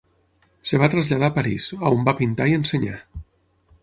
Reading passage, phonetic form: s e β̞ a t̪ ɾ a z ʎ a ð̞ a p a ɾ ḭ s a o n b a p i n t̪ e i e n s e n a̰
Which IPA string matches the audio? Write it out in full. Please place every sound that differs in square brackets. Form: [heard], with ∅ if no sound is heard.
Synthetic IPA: s e β̞ a t̪ ɾ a z ʎ a ð̞ a p a ɾ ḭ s a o [m] b a p i n t̪ [a] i e n s e [ɲ] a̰